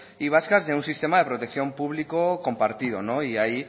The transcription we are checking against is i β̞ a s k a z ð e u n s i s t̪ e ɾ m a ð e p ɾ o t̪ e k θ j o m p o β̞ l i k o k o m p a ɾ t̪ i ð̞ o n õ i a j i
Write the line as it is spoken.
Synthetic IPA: i β̞ a s k a z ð e u n s i s t̪ e m a ð e p ɾ o t̪ e k θ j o m p u β̞ l i k o k o m p a ɾ t̪ i ð̞ o n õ i a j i